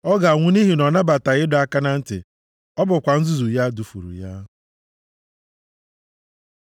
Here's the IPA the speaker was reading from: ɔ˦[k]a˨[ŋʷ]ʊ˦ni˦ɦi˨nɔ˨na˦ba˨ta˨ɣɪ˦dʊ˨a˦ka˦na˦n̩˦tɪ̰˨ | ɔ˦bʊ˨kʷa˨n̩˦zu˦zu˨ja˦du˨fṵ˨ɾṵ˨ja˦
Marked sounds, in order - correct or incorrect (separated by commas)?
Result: incorrect, correct